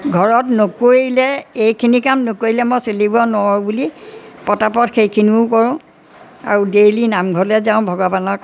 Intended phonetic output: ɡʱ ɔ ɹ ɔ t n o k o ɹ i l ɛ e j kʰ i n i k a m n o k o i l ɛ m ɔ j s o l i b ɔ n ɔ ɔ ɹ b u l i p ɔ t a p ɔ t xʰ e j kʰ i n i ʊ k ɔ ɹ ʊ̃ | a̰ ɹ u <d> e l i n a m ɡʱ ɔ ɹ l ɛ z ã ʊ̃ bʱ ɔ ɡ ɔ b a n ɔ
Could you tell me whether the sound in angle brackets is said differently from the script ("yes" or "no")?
no